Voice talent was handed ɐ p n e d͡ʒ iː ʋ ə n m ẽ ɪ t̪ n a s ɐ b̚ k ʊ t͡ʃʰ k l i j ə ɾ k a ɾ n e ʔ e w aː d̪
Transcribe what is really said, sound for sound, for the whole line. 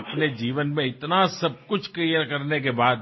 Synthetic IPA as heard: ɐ p n e d͡ʒ iː ʋ ə n m ẽ ɪ t̪ n a s ɐ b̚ k ʊ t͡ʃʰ k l i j ə ɾ k ɐ ɾ n e k e b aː d̪